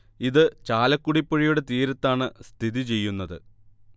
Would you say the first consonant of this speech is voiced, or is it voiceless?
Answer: voiced